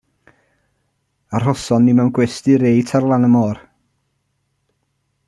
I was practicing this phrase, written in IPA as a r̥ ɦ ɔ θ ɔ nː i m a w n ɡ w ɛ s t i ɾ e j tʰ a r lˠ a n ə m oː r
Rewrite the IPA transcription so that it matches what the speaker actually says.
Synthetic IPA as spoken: a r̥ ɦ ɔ s ɔ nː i m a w n ɡ w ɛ s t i ɾ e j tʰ a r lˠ a n ə m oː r